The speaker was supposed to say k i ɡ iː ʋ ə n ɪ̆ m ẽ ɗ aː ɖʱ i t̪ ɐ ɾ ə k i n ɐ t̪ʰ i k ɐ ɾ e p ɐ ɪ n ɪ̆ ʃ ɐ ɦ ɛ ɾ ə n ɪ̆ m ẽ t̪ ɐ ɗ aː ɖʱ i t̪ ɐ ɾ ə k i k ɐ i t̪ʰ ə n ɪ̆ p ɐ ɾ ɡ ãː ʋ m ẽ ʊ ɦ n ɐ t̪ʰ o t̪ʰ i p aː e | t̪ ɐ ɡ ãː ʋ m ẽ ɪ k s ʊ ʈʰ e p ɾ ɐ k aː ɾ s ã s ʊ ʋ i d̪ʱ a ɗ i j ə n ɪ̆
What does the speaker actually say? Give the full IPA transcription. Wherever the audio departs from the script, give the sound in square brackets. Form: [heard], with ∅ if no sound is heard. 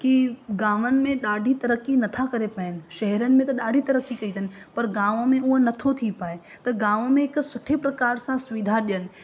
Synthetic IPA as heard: k i ɡ [aː] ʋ ə n ɪ̆ m ẽ ɗ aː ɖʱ i t̪ ɐ ɾ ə k i n ɐ t̪ʰ [a] k ɐ ɾ e p ɐ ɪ n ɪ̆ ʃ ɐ ɦ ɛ ɾ ə n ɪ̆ m ẽ t̪ ɐ ɗ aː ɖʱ i t̪ ɐ ɾ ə k i k ɐ i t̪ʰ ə n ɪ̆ p ɐ ɾ ɡ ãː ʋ m ẽ ʊ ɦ n ɐ t̪ʰ o t̪ʰ i p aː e | t̪ ɐ ɡ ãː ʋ m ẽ ɪ k s ʊ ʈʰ e p ɾ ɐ k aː ɾ s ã s ʊ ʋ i d̪ʱ a ɗ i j ə n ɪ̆